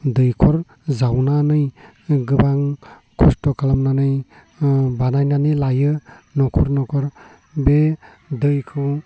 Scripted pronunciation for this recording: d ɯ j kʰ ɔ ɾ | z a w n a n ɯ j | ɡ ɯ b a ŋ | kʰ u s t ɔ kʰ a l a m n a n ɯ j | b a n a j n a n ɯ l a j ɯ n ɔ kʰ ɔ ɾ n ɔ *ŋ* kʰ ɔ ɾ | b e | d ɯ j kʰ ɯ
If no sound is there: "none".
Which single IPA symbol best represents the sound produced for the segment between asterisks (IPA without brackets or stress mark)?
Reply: none